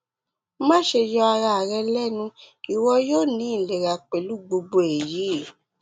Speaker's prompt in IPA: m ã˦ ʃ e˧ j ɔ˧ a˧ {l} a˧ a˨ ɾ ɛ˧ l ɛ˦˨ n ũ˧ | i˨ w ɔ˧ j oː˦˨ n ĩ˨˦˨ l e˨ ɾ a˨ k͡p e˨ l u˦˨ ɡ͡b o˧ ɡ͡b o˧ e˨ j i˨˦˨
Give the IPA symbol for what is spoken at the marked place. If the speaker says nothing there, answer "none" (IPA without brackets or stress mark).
ɾ